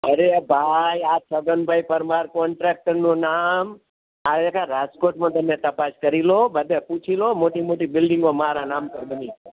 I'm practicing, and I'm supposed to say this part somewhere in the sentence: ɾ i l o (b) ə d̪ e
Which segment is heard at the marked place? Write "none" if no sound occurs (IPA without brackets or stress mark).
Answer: b